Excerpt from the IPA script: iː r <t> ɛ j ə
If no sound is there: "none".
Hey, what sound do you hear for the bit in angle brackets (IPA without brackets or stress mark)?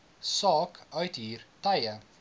t